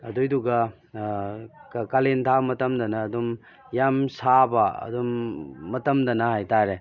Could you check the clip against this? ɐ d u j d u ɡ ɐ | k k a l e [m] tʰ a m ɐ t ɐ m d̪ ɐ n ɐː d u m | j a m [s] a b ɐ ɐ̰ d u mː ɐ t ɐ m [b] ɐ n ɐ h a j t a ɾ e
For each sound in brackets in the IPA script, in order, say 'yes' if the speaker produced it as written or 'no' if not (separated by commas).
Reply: no, yes, no